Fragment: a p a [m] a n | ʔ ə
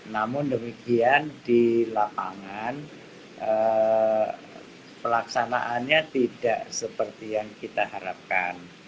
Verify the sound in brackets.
incorrect: ŋ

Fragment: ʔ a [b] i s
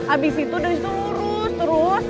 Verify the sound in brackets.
correct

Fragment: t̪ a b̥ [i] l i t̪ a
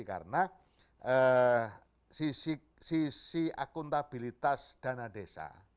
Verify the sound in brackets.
correct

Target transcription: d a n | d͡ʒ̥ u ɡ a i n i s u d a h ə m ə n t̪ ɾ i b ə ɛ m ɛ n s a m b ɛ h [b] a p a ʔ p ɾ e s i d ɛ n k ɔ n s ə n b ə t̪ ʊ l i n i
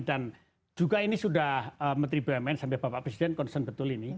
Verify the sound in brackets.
correct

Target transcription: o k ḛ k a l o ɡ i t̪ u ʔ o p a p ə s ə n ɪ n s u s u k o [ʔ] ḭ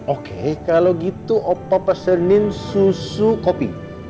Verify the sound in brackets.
incorrect: p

